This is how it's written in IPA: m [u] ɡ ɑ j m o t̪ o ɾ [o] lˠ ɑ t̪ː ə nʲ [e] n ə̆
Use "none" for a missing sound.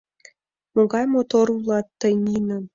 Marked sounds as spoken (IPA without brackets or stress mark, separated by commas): o, u, i